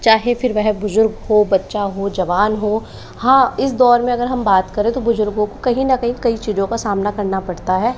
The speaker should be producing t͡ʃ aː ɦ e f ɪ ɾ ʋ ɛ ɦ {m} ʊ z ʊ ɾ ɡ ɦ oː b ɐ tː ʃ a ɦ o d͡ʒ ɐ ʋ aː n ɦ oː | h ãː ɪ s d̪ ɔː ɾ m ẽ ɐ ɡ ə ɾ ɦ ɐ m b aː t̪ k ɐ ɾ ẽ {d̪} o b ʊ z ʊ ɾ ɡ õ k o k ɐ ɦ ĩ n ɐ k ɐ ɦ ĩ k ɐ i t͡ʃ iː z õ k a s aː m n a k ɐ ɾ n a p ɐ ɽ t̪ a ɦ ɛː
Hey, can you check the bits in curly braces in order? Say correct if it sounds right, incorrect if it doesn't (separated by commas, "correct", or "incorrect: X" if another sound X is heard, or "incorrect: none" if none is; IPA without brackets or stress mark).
incorrect: b, incorrect: t̪